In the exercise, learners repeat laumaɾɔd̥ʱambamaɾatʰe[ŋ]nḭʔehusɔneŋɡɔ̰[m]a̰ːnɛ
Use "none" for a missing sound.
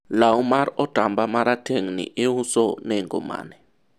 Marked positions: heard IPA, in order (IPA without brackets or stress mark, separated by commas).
ŋ, m